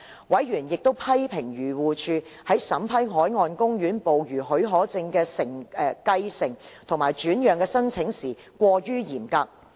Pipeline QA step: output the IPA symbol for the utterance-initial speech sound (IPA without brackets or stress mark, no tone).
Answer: w